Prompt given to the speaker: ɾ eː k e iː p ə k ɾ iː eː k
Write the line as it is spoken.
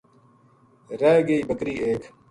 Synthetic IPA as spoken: ɾ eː ɡ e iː b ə k ɾ iː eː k